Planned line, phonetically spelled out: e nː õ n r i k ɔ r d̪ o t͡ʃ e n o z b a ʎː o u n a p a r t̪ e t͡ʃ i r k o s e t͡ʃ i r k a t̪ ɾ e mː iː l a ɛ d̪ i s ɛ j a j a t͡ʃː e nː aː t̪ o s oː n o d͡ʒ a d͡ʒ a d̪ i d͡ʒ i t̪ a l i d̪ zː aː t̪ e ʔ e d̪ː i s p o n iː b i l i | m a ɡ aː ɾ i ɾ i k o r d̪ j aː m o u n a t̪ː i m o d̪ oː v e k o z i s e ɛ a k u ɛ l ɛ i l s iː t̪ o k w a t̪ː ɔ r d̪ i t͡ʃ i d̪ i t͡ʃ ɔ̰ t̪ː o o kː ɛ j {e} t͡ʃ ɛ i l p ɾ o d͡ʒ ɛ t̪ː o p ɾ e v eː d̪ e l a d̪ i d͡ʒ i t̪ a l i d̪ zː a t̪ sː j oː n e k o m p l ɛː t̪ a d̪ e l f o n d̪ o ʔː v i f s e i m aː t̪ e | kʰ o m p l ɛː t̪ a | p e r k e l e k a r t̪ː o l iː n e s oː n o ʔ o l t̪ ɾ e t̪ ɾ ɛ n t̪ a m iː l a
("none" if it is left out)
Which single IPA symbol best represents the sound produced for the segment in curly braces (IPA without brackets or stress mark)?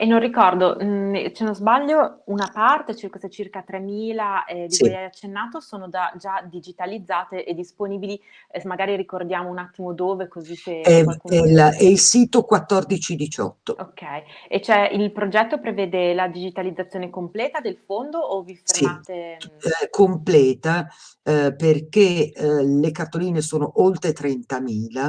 e